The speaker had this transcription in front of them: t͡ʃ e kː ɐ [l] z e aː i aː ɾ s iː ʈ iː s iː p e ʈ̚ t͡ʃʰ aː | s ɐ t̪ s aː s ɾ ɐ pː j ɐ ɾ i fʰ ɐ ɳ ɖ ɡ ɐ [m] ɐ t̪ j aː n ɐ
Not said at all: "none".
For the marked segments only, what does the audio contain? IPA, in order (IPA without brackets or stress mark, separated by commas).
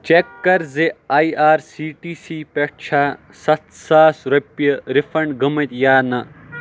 ɾ, m